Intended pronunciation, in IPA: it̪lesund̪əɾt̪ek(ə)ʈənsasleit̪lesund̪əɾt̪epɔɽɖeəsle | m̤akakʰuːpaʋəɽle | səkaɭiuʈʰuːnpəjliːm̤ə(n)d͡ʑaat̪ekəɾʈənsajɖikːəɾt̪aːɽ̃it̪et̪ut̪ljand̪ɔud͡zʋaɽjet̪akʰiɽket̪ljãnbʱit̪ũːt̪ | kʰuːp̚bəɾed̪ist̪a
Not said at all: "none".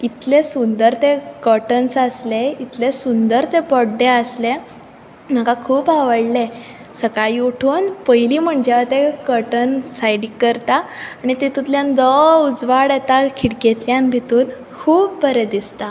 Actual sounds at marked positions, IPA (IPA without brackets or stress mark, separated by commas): ə, ɳ